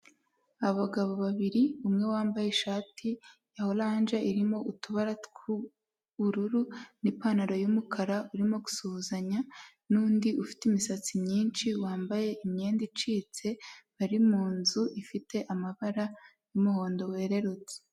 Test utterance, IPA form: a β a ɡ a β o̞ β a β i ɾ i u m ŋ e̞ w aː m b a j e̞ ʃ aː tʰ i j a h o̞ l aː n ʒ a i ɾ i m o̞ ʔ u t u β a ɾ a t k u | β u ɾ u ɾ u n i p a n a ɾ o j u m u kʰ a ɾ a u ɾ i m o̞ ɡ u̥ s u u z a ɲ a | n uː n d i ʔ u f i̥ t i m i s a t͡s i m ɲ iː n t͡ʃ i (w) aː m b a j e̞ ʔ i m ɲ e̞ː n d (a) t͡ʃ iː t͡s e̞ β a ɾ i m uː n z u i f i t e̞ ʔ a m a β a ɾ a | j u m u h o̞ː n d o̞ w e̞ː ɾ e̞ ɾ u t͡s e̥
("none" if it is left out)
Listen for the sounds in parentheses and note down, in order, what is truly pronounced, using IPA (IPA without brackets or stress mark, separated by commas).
w, i